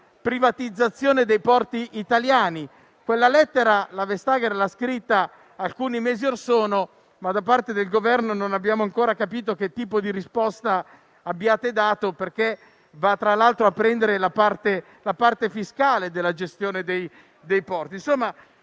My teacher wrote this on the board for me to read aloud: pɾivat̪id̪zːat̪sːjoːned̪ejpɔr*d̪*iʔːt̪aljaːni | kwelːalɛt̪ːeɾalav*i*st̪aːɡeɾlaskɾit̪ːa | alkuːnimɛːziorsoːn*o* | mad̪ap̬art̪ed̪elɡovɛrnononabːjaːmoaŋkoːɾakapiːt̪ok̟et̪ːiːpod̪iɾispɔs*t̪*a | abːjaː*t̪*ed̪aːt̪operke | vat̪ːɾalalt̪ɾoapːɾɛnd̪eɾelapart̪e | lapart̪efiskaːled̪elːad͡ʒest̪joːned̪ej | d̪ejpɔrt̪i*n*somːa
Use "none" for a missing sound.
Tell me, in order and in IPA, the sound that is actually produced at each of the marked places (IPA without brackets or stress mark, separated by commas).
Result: t̪, e, o, t̪, t̪, n